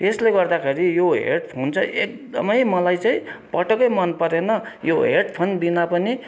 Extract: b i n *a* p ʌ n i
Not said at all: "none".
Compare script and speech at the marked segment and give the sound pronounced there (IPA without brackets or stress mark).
a